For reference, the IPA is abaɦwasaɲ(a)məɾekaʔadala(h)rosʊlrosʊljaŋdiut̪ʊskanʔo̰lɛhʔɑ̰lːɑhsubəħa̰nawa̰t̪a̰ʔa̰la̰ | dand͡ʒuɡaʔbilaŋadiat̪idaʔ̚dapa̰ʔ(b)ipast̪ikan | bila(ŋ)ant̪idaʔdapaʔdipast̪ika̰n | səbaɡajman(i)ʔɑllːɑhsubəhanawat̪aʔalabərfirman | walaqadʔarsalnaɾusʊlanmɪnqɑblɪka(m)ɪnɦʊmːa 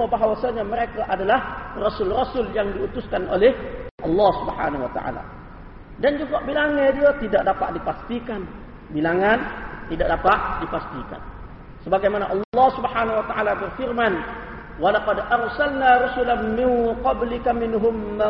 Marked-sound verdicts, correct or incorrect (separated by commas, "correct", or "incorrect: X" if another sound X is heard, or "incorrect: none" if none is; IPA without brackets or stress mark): correct, correct, incorrect: d, correct, incorrect: a, correct